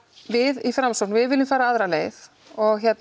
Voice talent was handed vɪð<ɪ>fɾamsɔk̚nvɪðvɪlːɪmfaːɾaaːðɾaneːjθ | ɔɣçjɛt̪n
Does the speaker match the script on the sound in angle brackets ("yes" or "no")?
no